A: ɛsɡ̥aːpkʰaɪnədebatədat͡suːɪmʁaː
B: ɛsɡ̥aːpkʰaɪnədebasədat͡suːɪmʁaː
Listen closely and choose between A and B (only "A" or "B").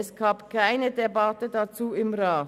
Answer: A